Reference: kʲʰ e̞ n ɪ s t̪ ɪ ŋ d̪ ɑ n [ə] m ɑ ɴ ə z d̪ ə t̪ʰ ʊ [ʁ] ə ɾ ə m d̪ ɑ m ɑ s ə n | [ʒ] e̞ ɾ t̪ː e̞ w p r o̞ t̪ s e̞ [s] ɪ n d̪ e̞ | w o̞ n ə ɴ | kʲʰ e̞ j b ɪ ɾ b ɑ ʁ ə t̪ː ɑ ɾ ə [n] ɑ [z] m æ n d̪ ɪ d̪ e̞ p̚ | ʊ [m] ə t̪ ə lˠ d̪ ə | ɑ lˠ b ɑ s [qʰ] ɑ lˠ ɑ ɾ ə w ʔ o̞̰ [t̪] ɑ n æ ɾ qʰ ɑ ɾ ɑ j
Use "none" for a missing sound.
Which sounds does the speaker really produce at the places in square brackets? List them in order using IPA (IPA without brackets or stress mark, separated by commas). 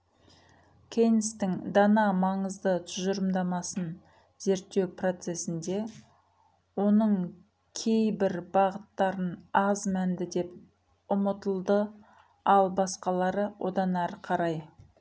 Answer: ɑ, ʒ, z, s, n, z, m, q, d̪